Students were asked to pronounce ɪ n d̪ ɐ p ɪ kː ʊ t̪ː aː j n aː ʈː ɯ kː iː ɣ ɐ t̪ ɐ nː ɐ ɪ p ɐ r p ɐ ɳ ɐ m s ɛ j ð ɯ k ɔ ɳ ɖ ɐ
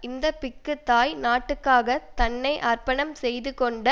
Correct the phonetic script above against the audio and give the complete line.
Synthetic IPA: ɪ n d̪ ɐ p ɪ kː ɯ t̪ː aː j n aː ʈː ɯ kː aː ɣ ɐ t̪ ɐ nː ɐ ɪ ʔ ɐ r p ɐ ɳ ɐ m s ɛ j ð ɯ k ɔ ɳ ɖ ɐ